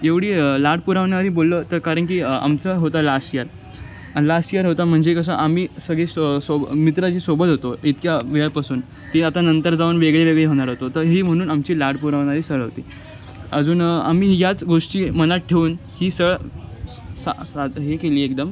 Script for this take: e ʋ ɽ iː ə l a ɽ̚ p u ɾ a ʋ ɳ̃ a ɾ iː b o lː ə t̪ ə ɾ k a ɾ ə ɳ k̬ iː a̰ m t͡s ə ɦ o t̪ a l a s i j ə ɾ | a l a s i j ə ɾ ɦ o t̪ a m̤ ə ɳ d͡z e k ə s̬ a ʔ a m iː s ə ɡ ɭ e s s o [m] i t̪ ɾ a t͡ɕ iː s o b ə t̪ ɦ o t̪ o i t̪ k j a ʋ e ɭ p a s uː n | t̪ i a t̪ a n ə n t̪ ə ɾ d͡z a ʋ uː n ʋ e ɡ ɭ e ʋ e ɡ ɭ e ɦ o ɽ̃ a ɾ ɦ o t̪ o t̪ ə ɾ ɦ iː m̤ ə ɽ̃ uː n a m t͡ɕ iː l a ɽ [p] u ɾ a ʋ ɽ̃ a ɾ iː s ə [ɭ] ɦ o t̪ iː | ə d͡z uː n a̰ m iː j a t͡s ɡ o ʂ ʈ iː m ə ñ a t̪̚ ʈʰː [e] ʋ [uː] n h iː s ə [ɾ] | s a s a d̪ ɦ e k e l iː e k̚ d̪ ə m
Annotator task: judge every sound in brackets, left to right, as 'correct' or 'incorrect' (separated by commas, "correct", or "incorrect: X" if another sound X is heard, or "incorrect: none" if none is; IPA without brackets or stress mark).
correct, correct, correct, correct, correct, incorrect: ɭ